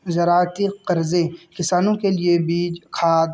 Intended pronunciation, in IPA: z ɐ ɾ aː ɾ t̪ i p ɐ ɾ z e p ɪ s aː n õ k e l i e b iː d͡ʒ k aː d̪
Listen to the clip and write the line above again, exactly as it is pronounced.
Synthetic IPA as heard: z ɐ ɾ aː ɾ t̪ i q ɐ ɾ z e k ɪ s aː n õ k e l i e b iː d͡ʒ kʰ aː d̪